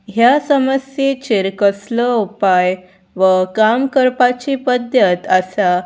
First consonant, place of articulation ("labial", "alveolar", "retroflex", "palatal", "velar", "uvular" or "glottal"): glottal